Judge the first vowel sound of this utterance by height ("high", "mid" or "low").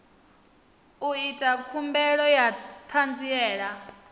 high